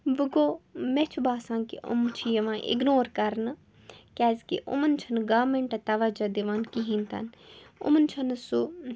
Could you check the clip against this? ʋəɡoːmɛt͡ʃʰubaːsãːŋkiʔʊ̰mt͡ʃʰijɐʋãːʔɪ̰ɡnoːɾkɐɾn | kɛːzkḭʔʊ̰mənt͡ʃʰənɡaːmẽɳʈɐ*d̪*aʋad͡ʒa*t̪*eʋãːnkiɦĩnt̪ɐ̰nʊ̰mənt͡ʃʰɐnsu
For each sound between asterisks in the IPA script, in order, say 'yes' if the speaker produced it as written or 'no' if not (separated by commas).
no, no